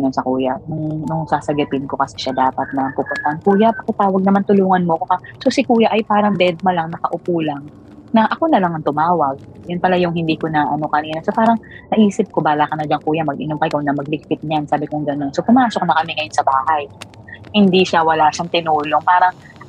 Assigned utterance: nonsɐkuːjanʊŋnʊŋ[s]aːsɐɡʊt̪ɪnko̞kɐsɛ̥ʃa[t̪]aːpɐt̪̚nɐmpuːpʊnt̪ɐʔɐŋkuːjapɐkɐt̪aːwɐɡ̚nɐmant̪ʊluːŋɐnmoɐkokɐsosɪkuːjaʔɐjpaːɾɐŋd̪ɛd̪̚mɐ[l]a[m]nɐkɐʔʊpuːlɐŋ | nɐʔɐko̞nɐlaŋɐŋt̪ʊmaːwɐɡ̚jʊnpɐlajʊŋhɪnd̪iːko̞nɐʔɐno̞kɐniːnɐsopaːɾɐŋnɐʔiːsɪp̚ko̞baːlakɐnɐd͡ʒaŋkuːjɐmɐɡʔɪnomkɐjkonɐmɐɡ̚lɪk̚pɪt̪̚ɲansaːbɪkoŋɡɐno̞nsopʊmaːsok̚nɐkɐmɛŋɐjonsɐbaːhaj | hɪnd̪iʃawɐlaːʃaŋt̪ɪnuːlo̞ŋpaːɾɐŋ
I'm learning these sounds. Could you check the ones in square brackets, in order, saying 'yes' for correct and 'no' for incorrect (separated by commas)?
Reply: yes, no, yes, no